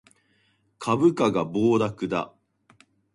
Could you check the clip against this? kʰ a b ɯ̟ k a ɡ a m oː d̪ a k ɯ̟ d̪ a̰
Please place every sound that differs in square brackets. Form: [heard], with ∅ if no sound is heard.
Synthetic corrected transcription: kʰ a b ɯ̟ k a ɡ a [b] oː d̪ a k ɯ̟ d̪ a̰